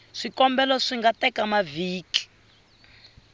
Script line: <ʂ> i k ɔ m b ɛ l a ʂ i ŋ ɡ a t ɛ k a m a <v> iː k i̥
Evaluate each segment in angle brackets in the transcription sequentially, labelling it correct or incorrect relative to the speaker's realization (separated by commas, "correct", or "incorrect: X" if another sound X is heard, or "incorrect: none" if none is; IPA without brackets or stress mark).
correct, correct